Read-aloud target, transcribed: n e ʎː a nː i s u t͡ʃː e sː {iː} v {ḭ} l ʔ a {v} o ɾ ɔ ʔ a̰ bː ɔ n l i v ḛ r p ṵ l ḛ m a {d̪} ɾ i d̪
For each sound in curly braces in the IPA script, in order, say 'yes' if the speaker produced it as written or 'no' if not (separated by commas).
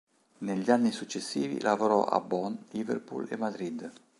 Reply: yes, yes, yes, yes